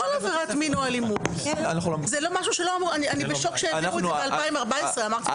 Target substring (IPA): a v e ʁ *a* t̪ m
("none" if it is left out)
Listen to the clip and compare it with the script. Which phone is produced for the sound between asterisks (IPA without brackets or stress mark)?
a